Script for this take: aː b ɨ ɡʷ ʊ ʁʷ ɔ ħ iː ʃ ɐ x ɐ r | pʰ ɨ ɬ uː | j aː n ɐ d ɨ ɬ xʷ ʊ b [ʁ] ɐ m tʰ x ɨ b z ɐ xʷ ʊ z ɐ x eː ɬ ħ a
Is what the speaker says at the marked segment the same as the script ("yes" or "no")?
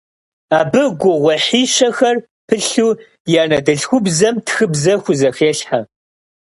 no